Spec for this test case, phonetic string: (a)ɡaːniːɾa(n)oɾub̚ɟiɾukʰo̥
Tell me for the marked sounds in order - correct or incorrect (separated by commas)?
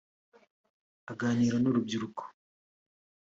correct, correct